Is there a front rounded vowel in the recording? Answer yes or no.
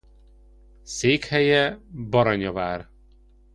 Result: no